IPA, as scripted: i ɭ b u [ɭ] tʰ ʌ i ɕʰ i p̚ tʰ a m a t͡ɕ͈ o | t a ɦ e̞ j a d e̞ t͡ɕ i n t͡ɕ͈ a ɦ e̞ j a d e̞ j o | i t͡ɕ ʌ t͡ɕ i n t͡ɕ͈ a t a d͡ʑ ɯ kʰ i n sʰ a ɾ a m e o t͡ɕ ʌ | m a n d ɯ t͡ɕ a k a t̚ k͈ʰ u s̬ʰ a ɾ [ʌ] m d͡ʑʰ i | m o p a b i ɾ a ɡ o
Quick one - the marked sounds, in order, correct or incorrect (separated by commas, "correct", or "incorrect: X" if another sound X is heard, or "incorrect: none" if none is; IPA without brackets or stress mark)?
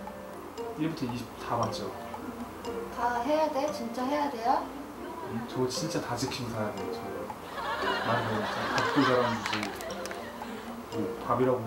incorrect: none, incorrect: a